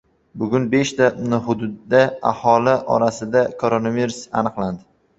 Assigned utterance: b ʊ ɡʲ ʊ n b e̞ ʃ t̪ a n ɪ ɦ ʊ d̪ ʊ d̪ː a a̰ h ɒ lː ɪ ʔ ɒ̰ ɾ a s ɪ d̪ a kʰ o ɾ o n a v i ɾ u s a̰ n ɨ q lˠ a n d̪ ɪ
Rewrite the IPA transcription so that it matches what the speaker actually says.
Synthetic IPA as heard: b ʊ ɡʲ ʊ n b e̞ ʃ t̪ a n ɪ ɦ ʊ d̪ ʊ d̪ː a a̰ h ɒ l ɪ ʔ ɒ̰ ɾ a s ɪ d̪ a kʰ o ɾ o n a v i ɾ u s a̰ n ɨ q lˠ a n d̪ ɪ